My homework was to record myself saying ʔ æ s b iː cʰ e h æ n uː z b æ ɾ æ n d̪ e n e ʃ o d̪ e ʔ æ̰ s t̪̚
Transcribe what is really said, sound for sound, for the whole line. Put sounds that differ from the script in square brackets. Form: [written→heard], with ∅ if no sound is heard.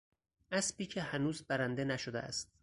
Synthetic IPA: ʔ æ s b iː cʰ e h æ n uː z b æ ɾ æ n d̪ e n [e→æ] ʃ o d̪ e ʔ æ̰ s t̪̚